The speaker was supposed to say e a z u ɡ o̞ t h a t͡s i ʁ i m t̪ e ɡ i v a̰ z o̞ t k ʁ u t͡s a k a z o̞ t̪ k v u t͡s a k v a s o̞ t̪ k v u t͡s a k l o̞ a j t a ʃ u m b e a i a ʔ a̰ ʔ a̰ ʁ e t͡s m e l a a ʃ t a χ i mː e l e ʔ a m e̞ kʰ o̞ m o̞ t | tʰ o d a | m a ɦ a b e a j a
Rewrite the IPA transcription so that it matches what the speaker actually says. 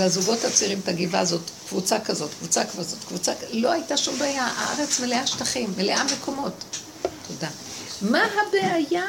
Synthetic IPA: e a z u ɡ o̞ t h a t͡s i ʁ i m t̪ a ɡ i v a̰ z o̞ t k v u t͡s a k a z o̞ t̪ k v u t͡s a k v a z o̞ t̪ k v u t͡s a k l o̞ a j t a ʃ u m b e a j a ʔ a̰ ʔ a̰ ʁ e t͡s m e l e a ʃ t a χ i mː e l e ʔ a m e̞ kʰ o̞ m o̞ t | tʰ o d a | m a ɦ a b e a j a